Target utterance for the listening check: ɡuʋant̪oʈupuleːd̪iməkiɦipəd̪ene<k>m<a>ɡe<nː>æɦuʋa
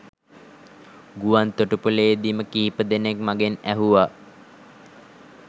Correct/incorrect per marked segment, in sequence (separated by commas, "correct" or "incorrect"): correct, correct, incorrect